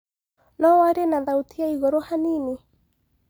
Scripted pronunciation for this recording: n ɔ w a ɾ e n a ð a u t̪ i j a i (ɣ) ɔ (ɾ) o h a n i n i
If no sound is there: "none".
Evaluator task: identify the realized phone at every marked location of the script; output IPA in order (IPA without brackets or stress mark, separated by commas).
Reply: ɣ, ɾ